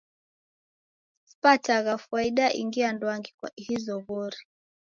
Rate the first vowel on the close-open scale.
open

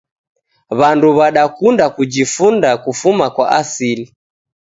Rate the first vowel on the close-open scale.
open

